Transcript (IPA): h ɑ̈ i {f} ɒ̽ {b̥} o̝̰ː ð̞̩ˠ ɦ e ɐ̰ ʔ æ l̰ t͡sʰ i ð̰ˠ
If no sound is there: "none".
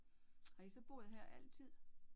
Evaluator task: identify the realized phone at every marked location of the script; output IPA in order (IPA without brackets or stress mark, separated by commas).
s, b̥